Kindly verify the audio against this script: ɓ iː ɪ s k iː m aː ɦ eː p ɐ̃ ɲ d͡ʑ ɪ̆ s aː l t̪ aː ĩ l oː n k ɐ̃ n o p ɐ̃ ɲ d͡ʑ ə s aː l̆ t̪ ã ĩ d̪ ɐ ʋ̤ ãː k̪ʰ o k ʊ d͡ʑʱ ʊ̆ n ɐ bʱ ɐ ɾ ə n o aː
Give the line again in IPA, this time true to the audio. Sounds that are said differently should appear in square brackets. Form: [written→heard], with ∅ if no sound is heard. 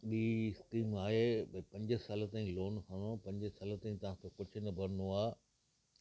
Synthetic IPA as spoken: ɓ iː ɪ s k iː m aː ɦ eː p ɐ̃ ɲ d͡ʑ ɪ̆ s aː l t̪ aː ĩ l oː n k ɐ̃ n o p ɐ̃ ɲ d͡ʑ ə s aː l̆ t̪ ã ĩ [d̪→t̪] ɐ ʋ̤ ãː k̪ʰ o k ʊ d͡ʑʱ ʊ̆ n ɐ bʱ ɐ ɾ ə n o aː